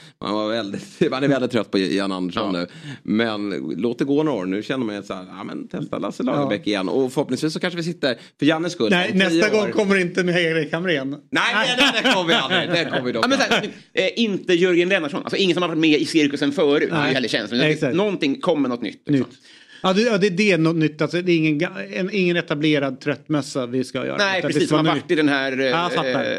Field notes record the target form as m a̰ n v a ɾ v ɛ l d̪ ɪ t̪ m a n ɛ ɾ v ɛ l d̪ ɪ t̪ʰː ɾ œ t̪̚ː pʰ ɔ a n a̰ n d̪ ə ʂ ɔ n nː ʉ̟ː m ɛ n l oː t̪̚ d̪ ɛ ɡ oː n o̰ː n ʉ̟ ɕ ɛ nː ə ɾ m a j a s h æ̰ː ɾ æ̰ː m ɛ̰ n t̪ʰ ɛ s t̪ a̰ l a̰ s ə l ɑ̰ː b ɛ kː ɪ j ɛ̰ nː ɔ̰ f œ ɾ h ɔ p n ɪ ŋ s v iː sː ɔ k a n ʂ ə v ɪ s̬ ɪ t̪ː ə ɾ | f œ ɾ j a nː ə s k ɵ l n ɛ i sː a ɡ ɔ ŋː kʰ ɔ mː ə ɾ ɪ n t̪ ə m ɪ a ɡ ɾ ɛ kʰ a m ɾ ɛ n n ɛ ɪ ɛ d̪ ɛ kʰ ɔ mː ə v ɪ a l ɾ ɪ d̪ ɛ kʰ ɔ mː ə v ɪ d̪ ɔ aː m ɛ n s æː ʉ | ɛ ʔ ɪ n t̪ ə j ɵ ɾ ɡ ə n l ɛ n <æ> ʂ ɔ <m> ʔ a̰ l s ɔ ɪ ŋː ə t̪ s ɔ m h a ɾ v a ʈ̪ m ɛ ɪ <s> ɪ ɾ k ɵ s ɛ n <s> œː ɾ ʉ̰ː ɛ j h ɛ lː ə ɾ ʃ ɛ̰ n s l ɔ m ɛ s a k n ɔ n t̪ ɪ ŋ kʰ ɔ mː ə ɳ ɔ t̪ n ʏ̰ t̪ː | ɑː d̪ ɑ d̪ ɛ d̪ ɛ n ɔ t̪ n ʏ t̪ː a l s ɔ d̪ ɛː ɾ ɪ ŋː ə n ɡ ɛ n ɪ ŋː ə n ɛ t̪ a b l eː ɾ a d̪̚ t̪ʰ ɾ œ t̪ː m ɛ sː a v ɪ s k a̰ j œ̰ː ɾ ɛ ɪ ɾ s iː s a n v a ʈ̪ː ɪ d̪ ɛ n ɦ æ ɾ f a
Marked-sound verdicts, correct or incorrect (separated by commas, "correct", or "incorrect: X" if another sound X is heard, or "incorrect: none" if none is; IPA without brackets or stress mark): incorrect: a, incorrect: n, correct, incorrect: f